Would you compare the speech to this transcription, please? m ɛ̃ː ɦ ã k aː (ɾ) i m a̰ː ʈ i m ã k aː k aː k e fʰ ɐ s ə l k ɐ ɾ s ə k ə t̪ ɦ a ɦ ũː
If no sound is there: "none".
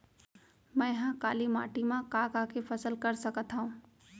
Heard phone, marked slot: l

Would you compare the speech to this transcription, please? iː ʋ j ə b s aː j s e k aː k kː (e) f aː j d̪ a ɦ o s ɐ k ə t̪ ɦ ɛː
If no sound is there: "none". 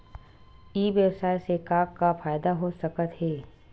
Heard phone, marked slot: a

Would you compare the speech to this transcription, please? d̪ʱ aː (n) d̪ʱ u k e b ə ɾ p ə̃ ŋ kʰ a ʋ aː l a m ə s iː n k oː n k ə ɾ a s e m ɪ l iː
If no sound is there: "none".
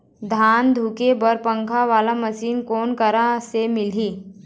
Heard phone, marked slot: n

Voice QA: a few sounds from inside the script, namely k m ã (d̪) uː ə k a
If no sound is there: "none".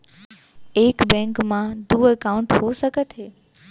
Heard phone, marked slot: d̪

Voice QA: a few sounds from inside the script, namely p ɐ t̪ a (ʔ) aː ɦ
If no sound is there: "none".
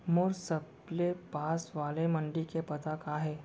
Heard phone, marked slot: k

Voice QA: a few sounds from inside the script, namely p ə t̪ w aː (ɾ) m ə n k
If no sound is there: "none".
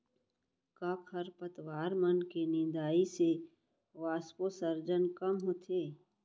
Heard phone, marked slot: ɾ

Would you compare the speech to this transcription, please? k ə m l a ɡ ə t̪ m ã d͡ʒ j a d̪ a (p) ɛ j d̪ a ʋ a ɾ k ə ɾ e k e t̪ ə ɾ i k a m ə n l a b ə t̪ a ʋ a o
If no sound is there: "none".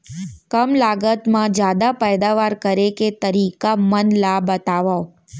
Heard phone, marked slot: p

